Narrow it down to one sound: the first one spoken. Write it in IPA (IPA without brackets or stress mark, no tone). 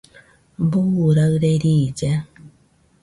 b